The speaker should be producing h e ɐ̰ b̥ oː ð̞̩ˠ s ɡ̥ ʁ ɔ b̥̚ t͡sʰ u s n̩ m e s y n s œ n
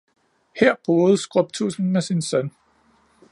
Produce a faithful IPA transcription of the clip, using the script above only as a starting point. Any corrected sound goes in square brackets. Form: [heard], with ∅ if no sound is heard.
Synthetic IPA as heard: h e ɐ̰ b̥ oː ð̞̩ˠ s ɡ̥ ʁ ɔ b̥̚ t͡sʰ u s n̩ m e s [i] n s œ n